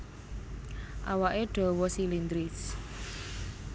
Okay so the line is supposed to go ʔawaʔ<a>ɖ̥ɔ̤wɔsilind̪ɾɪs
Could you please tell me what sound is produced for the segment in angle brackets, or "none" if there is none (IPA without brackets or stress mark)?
e